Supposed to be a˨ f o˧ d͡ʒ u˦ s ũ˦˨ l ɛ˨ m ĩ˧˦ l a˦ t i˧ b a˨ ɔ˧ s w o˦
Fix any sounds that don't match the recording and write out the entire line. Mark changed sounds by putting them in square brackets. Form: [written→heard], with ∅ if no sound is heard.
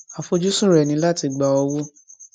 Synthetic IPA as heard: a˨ f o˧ d͡ʒ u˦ s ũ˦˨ [l→ɾ] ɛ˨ [m→n] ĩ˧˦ l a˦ t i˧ [b→ɡ͡b] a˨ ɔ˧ [s→∅] w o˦